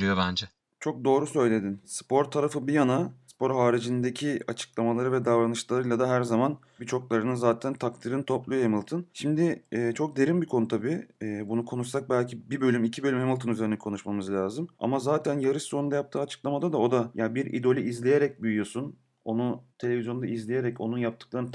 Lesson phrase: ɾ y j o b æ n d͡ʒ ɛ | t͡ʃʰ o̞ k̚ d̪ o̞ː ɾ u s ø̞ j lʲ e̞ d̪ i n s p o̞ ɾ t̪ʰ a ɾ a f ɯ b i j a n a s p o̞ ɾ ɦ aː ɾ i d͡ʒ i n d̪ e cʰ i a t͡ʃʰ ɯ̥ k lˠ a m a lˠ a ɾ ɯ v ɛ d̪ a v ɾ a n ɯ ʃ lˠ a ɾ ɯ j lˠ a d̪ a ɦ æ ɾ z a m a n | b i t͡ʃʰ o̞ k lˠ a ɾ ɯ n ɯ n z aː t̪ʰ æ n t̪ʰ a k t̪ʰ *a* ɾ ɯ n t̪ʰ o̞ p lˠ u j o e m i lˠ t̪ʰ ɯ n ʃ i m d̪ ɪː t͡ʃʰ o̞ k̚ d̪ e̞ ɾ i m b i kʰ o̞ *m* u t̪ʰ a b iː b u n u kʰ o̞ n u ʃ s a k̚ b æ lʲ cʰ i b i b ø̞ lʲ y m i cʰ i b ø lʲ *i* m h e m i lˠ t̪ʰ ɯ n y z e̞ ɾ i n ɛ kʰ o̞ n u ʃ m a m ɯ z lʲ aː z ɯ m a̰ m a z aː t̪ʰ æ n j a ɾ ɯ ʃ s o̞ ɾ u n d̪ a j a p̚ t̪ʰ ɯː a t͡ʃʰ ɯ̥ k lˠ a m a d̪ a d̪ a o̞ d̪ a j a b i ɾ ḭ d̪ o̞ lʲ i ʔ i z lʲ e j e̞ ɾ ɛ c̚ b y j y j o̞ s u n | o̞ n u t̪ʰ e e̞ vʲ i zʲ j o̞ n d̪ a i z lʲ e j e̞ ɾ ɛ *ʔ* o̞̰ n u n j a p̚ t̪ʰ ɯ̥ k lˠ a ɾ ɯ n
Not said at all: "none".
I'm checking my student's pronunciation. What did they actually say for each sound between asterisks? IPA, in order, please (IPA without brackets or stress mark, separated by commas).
i, n, y, c